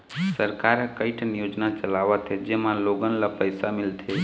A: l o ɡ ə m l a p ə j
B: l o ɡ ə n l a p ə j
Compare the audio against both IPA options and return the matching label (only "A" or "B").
B